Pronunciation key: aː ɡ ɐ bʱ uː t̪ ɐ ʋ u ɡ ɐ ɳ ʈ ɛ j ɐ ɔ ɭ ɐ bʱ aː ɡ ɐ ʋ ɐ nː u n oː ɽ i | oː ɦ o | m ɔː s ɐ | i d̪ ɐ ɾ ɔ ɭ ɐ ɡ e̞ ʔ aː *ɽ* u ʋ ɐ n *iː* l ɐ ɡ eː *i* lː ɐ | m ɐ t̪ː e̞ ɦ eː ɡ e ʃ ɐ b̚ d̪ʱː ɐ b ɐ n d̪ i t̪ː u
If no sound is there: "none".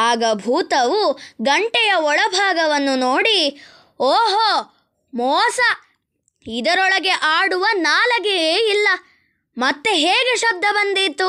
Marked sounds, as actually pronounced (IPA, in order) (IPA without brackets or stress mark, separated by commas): ɽ, aː, i